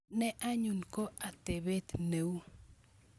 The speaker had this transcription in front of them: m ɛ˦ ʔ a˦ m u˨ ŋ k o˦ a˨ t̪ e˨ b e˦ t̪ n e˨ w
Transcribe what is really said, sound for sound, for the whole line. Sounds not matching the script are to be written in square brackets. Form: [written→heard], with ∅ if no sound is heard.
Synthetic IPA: [m→n] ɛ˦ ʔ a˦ [m→ɲ] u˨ [ŋ→n] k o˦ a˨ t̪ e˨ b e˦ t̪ n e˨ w

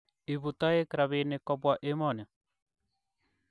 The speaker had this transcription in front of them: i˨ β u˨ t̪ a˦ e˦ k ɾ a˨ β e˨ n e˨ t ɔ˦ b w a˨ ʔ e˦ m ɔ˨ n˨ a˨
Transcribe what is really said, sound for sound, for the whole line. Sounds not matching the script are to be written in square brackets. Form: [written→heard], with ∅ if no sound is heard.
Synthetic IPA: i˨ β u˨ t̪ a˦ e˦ k ɾ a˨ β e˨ n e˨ [t→k] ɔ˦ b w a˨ ʔ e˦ m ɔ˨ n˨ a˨

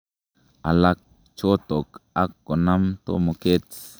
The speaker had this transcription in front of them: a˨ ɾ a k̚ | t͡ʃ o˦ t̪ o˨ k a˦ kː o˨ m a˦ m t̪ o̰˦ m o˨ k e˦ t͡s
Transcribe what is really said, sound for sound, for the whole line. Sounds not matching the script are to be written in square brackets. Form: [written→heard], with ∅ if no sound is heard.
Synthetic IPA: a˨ [ɾ→l] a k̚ | t͡ʃ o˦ t̪ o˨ k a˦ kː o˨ [m→n] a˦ m t̪ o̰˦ m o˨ k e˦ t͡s

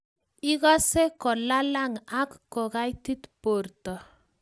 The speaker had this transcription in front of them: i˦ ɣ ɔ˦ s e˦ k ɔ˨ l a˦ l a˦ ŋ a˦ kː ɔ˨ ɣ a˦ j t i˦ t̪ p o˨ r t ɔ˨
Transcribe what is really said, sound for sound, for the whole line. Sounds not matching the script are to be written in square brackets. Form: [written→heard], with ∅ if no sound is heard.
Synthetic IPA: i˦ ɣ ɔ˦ s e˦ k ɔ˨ l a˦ l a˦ ŋ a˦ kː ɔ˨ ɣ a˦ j t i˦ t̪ p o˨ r t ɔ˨

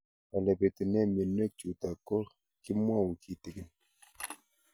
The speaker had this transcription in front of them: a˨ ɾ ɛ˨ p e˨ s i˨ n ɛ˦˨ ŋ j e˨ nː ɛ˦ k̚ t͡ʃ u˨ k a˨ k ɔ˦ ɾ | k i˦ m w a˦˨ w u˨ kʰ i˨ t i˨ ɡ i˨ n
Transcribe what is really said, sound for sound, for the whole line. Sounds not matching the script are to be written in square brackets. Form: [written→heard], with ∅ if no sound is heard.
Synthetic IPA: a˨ [ɾ→l] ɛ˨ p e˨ [s→t] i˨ n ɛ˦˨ [ŋ→m] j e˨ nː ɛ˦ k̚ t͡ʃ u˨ [k→t] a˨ k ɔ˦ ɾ | k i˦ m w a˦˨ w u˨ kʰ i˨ t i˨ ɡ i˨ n

